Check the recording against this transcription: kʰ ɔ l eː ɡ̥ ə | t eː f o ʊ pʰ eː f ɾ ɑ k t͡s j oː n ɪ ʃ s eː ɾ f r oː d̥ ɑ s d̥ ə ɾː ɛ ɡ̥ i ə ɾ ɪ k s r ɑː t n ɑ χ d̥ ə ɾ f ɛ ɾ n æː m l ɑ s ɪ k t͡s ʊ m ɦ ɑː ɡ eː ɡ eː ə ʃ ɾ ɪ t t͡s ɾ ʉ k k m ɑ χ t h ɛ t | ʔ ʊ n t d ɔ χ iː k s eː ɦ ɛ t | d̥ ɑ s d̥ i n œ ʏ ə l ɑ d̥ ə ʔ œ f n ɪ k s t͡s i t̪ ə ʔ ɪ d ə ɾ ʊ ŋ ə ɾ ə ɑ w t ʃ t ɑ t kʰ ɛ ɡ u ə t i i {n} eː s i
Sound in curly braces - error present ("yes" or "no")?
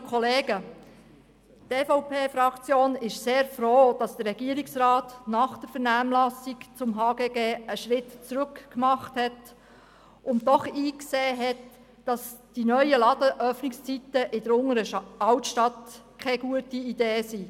yes